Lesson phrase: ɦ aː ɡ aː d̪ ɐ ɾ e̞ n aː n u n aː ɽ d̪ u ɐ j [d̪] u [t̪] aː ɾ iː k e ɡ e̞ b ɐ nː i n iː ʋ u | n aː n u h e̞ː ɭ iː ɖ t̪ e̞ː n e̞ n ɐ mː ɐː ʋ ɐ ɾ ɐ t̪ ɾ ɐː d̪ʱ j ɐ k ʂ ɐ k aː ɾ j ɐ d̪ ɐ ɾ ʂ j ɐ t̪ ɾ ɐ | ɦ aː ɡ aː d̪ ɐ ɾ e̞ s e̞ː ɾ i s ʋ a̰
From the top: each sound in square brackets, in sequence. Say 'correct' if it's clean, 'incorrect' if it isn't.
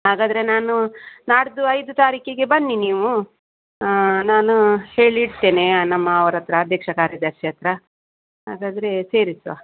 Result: correct, correct

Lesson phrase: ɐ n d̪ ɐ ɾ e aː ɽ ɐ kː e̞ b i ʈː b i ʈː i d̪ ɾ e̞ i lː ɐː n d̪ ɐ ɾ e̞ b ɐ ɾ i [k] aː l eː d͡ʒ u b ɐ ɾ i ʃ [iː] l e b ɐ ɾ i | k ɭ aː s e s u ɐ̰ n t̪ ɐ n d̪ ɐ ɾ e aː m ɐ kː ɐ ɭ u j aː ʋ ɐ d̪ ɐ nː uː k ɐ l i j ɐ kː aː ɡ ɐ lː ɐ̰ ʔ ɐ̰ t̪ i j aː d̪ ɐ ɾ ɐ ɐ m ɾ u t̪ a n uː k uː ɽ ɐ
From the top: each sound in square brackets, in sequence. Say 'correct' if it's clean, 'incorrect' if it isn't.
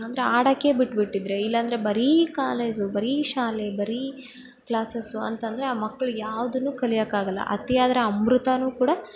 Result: correct, incorrect

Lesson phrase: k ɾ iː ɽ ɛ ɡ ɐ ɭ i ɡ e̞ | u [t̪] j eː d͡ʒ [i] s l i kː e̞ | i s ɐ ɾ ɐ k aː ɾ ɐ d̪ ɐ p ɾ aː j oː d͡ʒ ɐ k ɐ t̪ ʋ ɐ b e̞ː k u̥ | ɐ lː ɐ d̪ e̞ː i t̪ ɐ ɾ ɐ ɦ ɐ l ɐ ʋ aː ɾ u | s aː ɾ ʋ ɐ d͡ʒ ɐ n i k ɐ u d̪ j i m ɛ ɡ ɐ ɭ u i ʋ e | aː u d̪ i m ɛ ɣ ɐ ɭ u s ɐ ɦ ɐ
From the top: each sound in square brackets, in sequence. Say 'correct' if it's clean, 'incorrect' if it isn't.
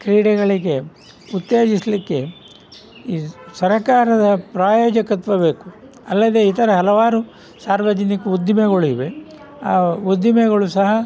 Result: correct, correct

